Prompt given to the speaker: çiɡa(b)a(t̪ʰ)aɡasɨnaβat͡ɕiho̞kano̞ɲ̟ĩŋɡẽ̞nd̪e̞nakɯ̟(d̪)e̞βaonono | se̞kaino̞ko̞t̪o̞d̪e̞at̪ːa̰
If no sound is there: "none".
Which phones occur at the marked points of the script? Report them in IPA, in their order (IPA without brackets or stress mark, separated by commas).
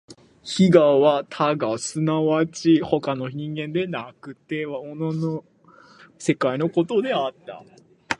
β, t̪ʰ, t̪